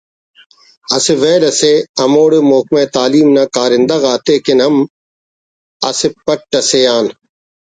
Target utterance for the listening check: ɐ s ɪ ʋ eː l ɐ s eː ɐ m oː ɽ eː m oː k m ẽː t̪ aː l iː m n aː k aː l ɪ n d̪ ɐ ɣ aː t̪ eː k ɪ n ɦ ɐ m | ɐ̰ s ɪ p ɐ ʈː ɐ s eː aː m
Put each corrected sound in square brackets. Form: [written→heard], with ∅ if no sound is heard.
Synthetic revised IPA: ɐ s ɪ ʋ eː l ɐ s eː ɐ m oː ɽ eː m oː k m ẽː t̪ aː l iː m n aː k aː [l→ɾ] ɪ n d̪ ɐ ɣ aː t̪ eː k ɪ n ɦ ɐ m | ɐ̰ s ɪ p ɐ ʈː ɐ s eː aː [m→n]